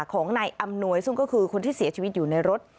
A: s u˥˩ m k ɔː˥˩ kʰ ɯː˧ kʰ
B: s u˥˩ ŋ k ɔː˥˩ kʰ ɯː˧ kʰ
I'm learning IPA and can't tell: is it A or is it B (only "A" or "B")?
B